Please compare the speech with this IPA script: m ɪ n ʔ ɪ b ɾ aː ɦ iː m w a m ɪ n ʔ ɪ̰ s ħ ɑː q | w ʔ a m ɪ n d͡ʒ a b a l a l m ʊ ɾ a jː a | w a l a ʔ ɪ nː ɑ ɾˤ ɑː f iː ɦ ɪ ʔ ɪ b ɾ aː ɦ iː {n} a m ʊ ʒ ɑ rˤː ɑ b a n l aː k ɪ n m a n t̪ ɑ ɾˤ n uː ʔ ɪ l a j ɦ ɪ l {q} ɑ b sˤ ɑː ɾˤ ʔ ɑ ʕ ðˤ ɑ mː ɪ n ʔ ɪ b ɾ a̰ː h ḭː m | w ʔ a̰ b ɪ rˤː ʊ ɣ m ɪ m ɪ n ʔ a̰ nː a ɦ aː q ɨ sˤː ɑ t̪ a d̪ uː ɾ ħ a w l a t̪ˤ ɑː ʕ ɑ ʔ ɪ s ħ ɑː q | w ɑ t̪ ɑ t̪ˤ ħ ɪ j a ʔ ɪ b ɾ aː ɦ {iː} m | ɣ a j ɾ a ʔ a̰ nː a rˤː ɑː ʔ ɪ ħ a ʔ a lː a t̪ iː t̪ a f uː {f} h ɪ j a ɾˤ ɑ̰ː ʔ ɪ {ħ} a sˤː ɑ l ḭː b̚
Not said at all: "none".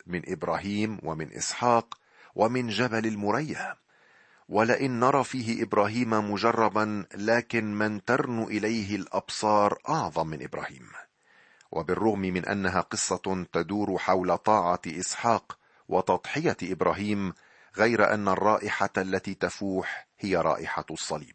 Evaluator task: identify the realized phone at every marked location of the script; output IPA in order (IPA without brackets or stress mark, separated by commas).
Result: m, ʔ, iː, ħ, ħ